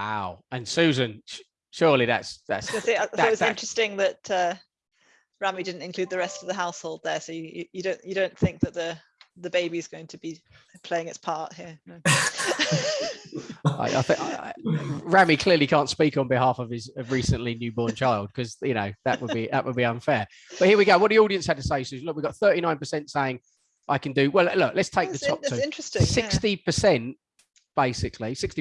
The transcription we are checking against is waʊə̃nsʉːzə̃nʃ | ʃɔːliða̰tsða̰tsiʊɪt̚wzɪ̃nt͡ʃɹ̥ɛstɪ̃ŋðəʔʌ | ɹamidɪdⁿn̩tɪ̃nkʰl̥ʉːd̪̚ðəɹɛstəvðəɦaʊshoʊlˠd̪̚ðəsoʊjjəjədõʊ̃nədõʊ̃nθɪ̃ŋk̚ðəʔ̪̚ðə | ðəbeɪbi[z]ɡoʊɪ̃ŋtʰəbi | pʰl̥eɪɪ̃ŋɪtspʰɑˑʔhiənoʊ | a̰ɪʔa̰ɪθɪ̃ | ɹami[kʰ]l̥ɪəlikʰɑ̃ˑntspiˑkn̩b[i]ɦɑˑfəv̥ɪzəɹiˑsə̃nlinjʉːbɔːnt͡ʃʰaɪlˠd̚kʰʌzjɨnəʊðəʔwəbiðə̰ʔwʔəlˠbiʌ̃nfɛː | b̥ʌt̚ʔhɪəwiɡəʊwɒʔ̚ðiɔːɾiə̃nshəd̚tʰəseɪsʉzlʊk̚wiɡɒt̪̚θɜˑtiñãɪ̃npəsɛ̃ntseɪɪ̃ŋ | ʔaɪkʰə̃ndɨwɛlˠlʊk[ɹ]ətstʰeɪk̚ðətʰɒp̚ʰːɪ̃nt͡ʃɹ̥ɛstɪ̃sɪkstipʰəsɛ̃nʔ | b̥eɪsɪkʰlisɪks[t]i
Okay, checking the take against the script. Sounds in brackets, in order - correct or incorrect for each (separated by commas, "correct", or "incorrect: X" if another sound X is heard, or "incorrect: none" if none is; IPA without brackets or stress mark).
correct, correct, incorrect: ɪ, incorrect: l, correct